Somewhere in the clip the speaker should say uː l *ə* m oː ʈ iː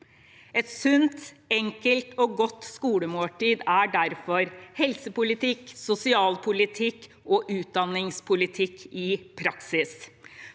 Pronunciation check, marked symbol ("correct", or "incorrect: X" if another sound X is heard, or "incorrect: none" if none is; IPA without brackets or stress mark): correct